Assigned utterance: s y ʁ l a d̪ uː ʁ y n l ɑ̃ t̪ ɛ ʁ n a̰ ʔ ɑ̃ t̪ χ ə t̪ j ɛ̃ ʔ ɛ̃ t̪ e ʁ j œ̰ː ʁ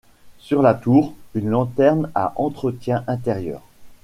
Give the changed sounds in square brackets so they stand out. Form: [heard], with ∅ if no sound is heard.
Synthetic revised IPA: s y ʁ l a [t̪] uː ʁ y n l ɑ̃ t̪ ɛ ʁ n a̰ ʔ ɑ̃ t̪ χ ə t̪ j ɛ̃ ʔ ɛ̃ t̪ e ʁ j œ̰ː ʁ